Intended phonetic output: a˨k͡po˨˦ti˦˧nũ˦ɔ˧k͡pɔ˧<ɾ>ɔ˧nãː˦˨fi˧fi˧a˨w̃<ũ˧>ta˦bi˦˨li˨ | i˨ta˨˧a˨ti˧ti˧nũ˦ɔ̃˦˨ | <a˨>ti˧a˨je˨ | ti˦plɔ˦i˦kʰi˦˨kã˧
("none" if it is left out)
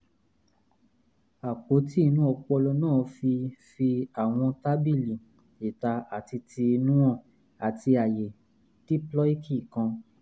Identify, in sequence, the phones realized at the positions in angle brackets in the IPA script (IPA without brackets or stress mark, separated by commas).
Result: l, ɔ̃˧, a˨